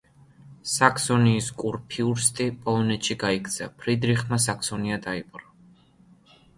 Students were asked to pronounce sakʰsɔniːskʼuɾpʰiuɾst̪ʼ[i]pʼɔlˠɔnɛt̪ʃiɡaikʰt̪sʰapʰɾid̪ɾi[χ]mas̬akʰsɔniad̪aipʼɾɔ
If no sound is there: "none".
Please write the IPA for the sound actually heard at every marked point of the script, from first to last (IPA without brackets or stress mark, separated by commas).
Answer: i, χ